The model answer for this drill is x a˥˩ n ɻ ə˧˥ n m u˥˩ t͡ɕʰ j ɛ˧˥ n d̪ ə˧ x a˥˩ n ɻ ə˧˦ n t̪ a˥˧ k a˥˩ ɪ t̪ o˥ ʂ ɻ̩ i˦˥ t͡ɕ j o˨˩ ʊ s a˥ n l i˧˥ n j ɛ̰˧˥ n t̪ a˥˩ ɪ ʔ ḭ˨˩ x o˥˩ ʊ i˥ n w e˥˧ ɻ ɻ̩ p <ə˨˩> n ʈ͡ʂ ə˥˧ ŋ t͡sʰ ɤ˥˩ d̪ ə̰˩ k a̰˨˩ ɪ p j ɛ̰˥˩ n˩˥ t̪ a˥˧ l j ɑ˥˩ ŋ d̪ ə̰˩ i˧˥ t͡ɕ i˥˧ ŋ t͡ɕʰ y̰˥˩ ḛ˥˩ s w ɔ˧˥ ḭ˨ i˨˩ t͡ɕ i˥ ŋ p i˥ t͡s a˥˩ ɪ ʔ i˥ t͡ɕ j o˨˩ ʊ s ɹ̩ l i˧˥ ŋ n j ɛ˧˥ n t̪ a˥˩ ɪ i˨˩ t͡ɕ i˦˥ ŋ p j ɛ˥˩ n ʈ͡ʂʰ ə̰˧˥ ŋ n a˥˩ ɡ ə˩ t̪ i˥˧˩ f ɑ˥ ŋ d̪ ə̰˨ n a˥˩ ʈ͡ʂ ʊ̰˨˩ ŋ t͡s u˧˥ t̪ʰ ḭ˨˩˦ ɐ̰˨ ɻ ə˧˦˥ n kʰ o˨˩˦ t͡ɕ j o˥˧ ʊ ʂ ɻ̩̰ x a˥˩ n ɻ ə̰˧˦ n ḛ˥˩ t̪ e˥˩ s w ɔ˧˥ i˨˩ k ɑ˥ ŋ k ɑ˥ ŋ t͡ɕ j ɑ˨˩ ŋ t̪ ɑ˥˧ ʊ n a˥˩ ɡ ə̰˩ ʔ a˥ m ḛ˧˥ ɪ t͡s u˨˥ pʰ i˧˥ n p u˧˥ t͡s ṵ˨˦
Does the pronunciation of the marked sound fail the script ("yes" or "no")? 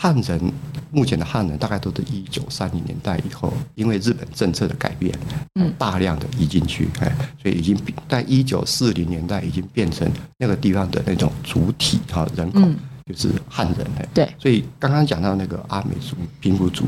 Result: no